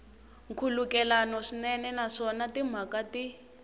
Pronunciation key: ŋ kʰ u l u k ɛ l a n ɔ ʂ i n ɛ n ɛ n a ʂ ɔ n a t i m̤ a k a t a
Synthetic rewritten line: ŋ kʰ u l u k ɛ l a n ɔ ʂ i n ɛ n ɛ n a ʂ ɔ n a t i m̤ a k a t i